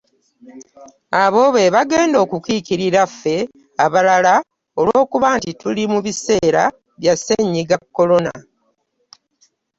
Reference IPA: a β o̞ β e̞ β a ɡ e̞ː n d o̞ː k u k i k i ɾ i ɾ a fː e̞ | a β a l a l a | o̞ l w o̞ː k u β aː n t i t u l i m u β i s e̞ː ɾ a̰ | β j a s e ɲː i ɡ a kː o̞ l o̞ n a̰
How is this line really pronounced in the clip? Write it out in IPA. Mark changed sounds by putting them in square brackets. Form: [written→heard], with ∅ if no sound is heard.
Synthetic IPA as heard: a β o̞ β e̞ β a ɡ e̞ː n d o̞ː k u k i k i ɾ i ɾ a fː e̞ | a β a l a l a | o̞ l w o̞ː k u β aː n t i t u l i m u β i s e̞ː ɾ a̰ | β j a s e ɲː i ɡ a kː o̞ l o̞ n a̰